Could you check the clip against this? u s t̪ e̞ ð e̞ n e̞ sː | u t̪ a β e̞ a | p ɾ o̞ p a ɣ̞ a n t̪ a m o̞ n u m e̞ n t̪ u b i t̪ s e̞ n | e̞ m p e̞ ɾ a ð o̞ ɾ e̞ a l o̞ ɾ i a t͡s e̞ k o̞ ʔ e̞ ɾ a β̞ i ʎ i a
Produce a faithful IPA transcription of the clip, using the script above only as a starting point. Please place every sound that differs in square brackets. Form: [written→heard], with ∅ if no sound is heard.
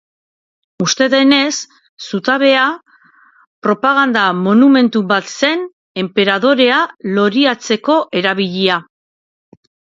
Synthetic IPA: u s t̪ e̞ ð e̞ n e̞ sː | u t̪ a β e̞ a | p ɾ o̞ p a ɣ̞ a n [t̪→d̪] a m o̞ n u m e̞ n t̪ u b [i→a] t̪ s e̞ n | e̞ m p e̞ ɾ a ð o̞ ɾ e̞ a l o̞ ɾ i a t͡s e̞ k o̞ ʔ e̞ ɾ a β̞ i ʎ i a